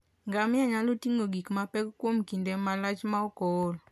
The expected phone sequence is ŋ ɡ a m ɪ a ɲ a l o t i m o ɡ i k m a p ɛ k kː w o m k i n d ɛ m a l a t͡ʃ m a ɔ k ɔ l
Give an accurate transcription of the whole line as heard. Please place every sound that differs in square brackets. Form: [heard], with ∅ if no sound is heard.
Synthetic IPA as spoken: ŋ ɡ a m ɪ a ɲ a l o t i [ŋ] o ɡ i k m a p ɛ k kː w o m k i n d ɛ m a l a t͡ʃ m a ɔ k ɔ l